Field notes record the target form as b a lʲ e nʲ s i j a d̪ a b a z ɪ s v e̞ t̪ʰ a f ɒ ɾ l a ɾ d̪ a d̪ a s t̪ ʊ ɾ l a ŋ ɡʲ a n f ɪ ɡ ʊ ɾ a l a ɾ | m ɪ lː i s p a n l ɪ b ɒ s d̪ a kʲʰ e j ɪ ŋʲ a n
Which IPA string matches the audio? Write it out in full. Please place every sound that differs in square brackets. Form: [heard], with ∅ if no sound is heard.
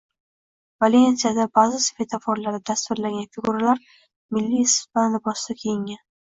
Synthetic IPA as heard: [v] a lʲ e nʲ s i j a d̪ a b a z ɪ s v e̞ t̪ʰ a f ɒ ɾ l a ɾ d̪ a d̪ a s t̪ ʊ ɾ l a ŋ ɡʲ a n f ɪ ɡ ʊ ɾ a l a ɾ | m ɪ lː i s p a n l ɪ b ɒ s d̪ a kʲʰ e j ɪ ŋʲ a n